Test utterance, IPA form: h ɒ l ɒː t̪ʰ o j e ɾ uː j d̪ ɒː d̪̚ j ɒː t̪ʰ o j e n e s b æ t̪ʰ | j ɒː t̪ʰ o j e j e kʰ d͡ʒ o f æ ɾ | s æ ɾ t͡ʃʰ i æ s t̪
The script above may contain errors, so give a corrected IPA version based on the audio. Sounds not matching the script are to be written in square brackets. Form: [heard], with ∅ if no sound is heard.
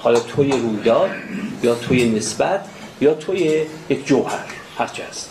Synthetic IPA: h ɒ l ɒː t̪ʰ o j e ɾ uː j d̪ ɒː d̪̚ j ɒː t̪ʰ o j e n e s b æ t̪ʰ | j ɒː t̪ʰ o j e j e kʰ d͡ʒ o [h] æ ɾ | [h] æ ɾ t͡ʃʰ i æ s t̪